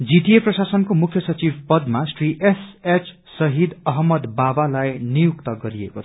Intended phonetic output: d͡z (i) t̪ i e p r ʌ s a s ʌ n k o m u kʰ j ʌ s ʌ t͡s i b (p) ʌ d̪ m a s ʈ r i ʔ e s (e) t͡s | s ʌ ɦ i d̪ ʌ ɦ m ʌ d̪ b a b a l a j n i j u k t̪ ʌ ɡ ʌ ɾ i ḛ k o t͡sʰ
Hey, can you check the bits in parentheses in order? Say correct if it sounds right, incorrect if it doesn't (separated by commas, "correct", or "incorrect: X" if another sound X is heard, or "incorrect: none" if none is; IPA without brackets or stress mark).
correct, correct, correct